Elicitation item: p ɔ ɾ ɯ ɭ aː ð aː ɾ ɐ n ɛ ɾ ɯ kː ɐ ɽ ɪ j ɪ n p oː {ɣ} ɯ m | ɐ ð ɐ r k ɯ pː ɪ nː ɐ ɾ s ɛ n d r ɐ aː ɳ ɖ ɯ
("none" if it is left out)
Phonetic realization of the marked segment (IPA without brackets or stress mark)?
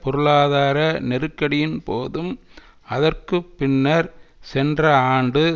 ð